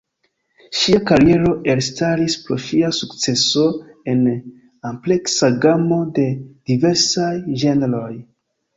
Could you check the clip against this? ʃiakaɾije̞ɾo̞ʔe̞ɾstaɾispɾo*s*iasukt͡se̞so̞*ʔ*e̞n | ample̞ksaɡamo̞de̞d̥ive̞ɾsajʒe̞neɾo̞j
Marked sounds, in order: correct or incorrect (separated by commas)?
incorrect, incorrect